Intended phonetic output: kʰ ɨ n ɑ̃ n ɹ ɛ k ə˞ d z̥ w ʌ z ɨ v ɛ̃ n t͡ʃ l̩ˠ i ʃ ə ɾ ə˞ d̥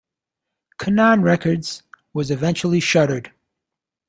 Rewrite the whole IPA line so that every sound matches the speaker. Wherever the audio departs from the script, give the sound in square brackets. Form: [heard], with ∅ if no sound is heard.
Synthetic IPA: kʰ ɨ n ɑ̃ n ɹ ɛ k ə˞ d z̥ w ʌ z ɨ v ɛ̃ n t͡ʃ l̩ˠ i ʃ [ʌ] ɾ ə˞ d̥